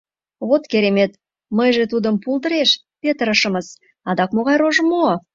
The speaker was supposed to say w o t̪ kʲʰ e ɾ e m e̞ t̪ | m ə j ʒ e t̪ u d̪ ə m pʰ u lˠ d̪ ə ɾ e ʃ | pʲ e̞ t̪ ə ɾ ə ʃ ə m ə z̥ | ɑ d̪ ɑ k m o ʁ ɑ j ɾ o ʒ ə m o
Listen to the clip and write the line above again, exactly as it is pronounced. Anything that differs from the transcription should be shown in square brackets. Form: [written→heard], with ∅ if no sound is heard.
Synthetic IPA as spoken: w o t̪ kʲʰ e ɾ e m e̞ t̪ | m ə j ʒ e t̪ u d̪ ə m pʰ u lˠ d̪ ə ɾ e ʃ | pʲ e̞ t̪ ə ɾ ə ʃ ə m ə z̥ | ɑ d̪ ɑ k m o ʁ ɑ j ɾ o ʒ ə m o